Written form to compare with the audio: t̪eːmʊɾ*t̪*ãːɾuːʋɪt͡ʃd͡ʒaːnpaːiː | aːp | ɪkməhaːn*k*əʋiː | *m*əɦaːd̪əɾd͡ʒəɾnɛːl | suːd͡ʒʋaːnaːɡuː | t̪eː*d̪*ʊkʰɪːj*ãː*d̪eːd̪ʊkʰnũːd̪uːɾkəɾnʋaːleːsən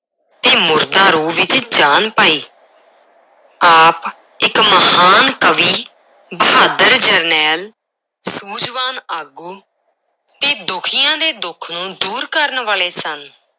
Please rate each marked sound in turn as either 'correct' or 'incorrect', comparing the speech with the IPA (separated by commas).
incorrect, correct, incorrect, correct, correct